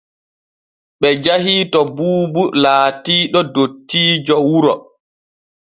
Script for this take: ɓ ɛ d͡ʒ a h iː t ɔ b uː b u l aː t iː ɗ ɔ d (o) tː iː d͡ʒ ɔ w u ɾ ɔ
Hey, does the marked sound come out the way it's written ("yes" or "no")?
yes